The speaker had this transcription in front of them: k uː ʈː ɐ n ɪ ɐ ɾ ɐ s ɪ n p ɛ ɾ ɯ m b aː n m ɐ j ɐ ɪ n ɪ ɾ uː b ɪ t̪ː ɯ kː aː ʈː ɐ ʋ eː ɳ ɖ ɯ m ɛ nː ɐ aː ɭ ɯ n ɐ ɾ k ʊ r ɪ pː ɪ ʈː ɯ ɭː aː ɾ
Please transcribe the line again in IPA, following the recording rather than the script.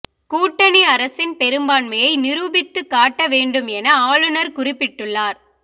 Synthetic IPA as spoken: k uː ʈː ɐ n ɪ ɐ ɾ ɐ s ɪ n p ɛ ɾ ɯ m b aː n m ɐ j ɐ ɪ n ɪ ɾ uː b ɪ t̪ː ɯ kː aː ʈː ɐ ʋ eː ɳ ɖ ɯ m ɛ n ɐ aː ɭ ɯ n ɐ ɾ k ʊ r ɪ pː ɪ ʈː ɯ ɭː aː ɾ

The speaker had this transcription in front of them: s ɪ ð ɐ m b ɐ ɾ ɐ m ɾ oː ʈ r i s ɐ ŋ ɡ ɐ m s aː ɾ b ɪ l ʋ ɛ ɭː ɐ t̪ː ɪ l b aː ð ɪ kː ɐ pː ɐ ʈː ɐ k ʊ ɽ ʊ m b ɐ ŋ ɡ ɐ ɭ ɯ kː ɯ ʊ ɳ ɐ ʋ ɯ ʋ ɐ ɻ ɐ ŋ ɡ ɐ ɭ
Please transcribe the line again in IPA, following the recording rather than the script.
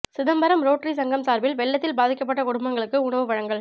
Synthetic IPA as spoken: s ɪ ð ɐ m b ɐ ɾ ɐ m ɾ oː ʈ r i s ɐ ŋ ɡ ɐ m s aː ɾ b ɪ l ʋ ɛ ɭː ɐ t̪ː ɪ l b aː ð ɪ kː ɐ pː ɐ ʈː ɐ k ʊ ɽ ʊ m b ɐ ŋ ɡ ɐ ɭ ɯ kː ɯ ʊ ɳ ɐ ʋ ɯ ʋ ɐ ɻ ɐ ŋ ɡ ɐ ɭ

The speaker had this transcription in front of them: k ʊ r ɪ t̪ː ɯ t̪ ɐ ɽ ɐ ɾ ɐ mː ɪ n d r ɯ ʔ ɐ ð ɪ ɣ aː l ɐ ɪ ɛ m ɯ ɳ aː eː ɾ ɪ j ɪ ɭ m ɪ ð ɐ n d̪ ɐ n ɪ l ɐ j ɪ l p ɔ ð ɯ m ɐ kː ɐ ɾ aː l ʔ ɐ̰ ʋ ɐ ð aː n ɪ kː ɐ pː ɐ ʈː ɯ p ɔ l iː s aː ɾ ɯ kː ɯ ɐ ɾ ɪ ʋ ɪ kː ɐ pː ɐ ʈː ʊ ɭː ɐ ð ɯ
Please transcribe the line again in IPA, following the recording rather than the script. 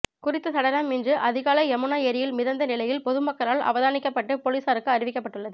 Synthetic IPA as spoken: k ʊ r ɪ t̪ː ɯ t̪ ɐ ɽ ɐ ɾ ɐ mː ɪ n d r ɯ ʔ ɐ ð ɪ ɣ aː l ɐ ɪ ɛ m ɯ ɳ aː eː ɾ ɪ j ɪ l m ɪ ð ɐ n d̪ ɐ n ɪ l ɐ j ɪ l p ɔ ð ɯ m ɐ kː ɐ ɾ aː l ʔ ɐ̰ ʋ ɐ ð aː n ɪ kː ɐ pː ɐ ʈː ɯ p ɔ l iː s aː ɾ ɯ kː ɯ ɐ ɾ ɪ ʋ ɪ kː ɐ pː ɐ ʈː ɯ ɭː ɐ ð ɯ

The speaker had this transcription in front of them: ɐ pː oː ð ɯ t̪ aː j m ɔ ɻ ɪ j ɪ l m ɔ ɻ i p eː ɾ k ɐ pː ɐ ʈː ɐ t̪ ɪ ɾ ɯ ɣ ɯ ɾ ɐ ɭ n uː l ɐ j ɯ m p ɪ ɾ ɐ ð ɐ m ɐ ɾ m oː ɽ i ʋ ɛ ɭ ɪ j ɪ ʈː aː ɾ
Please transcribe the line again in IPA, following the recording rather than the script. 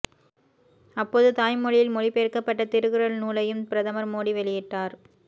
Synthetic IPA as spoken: ɐ pː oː ð ɯ t̪ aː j m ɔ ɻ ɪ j ɪ l m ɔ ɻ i p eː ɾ k ɐ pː ɐ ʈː ɐ t̪ ɪ ɾ ɯ ɣ ɯ ɾ ɐ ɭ n uː l ɐ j ɯ m p ɪ ɾ ɐ ð ɐ m ɐ ɾ m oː ɽ i ʋ ɛ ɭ ɪ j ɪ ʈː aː ɾ

